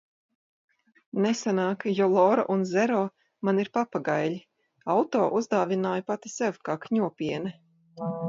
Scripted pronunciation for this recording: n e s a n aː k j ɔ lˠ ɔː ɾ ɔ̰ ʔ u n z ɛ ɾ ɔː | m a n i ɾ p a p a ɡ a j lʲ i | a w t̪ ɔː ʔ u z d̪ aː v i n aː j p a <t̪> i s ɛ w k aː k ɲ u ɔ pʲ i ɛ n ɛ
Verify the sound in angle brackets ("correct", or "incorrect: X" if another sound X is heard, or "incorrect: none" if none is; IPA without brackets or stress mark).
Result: correct